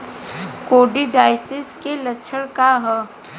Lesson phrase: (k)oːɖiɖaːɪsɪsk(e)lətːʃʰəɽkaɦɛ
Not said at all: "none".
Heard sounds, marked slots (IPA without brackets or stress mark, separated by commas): k, e